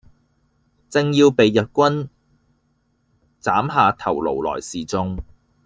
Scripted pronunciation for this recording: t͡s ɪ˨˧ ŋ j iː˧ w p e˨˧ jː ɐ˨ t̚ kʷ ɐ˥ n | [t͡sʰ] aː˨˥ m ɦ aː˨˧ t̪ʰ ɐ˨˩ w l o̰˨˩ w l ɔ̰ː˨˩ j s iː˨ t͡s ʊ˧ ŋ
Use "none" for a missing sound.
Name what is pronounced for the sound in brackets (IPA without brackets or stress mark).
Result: t͡s